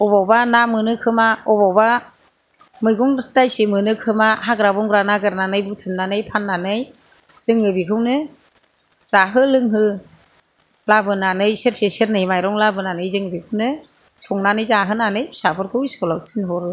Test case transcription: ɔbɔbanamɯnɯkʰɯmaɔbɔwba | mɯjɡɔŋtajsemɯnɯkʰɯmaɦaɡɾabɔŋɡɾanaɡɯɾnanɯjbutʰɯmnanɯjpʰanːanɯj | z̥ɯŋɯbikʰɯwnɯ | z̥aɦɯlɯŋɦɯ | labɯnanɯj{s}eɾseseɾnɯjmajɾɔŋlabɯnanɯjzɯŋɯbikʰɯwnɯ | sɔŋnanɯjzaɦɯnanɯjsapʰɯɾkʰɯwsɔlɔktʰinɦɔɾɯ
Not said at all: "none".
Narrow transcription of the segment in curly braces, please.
s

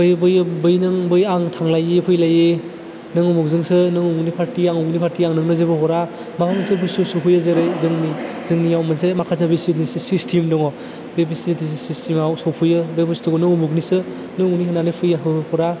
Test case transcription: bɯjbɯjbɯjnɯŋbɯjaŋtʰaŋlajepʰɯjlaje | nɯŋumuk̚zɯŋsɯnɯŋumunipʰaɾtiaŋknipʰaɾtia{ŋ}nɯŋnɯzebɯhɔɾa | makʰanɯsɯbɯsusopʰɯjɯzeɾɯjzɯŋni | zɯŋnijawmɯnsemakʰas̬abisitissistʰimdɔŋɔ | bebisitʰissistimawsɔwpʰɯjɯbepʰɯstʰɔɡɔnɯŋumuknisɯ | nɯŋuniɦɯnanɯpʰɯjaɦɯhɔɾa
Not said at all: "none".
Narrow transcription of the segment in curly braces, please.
ŋ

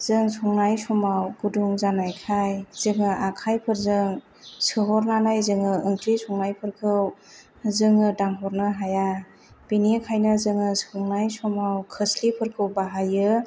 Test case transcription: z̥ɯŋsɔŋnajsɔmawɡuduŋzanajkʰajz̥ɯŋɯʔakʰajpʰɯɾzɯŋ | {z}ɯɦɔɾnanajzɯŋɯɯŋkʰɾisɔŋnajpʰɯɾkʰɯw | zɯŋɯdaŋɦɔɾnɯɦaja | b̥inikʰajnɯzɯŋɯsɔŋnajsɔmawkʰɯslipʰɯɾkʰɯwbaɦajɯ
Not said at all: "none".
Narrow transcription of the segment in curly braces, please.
s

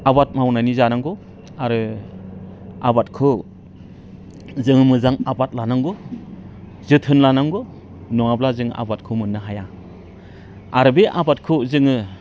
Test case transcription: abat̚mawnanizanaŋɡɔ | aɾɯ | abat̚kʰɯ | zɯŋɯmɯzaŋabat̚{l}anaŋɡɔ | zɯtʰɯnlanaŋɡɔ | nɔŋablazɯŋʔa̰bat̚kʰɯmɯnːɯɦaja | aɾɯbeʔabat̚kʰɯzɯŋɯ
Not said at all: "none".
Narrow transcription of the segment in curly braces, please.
l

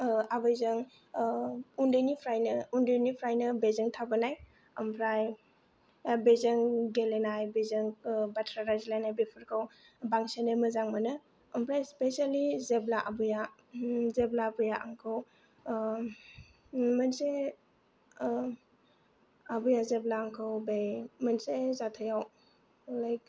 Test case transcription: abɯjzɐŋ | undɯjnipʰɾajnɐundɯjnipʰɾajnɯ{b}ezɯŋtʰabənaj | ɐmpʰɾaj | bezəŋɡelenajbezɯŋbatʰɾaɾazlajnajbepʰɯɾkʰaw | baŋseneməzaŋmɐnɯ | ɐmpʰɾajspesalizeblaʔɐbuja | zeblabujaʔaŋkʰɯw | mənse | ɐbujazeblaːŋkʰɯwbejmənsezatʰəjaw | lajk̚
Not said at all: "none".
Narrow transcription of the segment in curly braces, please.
b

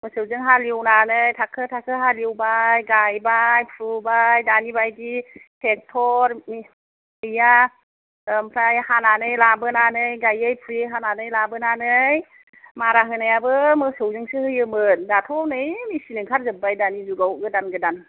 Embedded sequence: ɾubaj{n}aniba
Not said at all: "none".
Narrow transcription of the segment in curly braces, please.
d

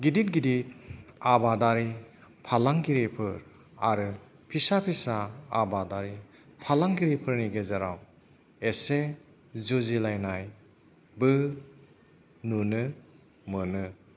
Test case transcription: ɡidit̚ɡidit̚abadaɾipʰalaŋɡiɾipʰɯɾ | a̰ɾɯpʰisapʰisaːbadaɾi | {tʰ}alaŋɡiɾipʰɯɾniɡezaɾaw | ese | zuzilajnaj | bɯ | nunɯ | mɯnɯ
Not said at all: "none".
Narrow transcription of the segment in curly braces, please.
pʰ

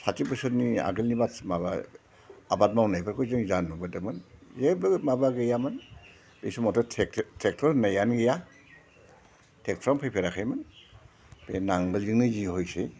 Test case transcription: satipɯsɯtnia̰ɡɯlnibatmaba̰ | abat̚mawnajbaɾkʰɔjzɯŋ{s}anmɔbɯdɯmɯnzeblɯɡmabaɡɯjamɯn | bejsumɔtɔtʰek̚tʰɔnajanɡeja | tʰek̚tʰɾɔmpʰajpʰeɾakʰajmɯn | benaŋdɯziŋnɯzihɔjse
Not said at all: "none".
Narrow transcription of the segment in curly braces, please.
z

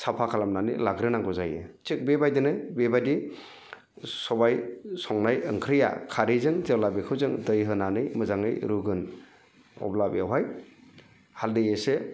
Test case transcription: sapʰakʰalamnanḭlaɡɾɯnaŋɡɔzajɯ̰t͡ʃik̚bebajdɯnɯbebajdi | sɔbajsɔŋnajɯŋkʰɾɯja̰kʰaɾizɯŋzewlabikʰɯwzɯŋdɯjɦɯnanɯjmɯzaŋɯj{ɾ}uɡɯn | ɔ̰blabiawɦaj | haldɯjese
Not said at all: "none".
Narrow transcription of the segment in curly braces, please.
ɾ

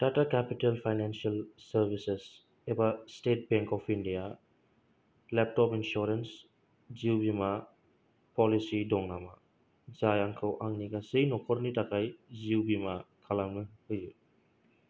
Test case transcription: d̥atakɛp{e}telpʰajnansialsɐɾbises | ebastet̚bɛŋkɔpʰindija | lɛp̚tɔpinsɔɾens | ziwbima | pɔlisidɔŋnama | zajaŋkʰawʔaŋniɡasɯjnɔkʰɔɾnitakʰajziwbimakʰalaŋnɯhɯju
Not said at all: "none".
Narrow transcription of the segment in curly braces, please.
i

